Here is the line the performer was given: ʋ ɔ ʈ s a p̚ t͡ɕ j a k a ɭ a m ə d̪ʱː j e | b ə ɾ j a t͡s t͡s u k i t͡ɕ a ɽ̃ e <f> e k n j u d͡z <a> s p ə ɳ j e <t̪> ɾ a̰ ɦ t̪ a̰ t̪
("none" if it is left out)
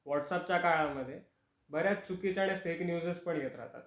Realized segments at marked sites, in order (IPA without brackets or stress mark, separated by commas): f, ə, t̪